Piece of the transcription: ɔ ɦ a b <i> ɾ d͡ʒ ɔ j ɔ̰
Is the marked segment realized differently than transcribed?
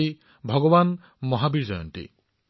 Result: no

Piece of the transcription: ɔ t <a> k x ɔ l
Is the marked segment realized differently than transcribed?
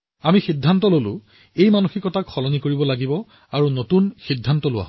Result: no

